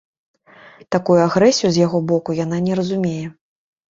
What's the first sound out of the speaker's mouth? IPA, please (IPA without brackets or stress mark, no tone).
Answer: t̪